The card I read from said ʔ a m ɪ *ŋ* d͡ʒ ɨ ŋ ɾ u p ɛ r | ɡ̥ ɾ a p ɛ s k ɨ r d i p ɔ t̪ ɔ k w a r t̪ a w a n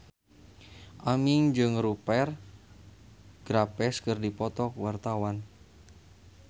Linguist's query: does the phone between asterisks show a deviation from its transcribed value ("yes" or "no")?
no